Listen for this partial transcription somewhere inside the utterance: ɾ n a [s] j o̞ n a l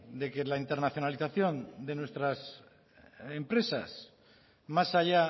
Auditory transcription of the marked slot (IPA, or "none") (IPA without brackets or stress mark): θ